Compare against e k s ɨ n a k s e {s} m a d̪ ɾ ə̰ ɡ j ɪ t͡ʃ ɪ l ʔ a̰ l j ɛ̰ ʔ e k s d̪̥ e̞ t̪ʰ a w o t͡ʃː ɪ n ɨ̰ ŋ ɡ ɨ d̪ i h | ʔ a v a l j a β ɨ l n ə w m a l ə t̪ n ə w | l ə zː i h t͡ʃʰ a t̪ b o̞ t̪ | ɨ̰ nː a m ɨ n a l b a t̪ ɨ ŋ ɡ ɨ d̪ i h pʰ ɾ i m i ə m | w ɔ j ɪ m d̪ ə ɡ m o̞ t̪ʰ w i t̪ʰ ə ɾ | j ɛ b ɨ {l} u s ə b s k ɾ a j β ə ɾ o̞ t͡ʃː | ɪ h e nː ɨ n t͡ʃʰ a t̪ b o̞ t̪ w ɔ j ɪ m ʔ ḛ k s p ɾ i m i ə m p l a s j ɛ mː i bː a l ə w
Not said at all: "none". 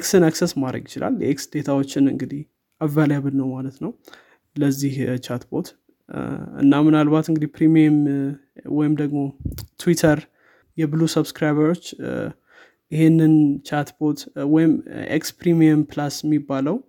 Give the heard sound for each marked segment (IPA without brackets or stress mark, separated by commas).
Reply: s, l